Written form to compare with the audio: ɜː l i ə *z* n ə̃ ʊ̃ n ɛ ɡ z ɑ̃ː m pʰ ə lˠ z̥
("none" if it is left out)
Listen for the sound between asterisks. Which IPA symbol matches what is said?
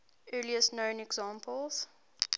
s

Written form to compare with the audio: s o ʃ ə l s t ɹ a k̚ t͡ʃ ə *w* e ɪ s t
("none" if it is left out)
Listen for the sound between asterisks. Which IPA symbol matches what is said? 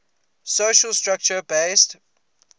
b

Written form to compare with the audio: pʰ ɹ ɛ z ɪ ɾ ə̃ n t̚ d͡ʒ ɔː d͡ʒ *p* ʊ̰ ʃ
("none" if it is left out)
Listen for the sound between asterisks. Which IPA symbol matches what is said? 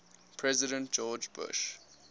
b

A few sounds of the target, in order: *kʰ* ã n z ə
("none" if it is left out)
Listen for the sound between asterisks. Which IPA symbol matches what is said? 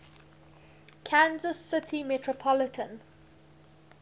kʰ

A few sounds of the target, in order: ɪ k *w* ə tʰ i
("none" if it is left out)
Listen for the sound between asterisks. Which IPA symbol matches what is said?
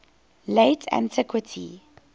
w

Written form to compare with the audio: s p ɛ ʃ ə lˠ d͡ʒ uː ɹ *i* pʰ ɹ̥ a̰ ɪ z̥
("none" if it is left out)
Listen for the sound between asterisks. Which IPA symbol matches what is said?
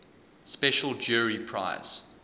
i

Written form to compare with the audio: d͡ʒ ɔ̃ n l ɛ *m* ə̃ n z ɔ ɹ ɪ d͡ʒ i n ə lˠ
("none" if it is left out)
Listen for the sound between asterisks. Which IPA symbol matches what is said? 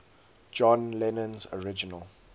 n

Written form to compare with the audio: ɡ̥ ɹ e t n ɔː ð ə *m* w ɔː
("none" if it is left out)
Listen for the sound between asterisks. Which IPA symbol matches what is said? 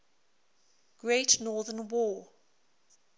n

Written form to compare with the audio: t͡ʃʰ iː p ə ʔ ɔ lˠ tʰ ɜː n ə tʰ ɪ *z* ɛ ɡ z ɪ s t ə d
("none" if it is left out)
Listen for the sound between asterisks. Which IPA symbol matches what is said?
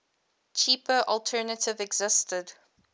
v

